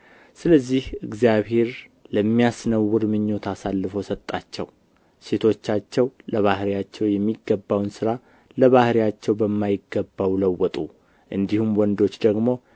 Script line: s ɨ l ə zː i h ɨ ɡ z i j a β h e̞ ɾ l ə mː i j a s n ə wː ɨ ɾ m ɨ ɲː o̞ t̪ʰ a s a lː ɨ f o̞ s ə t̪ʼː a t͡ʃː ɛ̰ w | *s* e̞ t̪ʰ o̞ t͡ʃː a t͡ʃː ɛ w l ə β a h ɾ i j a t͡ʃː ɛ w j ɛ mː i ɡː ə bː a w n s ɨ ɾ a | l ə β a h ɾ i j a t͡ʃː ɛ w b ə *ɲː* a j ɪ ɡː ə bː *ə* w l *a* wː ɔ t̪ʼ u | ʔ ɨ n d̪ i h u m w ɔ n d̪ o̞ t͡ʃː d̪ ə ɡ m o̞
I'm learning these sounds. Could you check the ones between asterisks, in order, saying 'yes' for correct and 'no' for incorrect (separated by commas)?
yes, no, no, no